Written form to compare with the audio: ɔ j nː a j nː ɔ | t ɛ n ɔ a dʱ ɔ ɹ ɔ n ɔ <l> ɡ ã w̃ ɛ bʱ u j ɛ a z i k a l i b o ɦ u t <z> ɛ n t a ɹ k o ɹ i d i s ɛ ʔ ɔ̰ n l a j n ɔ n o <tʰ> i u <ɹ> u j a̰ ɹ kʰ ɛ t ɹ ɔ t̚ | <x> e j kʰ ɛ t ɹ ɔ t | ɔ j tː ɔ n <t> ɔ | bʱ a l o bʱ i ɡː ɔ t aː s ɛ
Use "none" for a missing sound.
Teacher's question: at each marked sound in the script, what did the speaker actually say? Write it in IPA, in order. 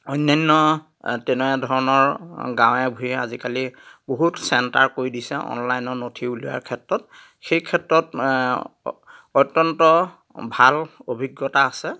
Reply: ɹ, s, tʰ, l, x, t

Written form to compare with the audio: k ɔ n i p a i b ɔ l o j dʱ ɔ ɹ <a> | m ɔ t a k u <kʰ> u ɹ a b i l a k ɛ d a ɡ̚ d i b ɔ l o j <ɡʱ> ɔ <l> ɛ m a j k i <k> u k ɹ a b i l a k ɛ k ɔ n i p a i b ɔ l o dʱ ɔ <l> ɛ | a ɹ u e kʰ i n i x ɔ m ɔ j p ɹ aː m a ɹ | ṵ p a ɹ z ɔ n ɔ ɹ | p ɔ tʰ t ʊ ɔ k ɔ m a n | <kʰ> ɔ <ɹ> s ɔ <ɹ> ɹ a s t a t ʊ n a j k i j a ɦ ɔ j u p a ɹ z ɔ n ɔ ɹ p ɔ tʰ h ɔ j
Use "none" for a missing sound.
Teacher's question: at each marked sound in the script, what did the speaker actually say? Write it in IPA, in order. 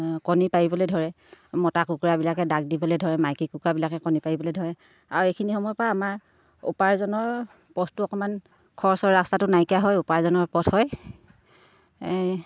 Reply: ɛ, k, dʱ, ɹ, k, ɹ, kʰ, ɹ, ɹ

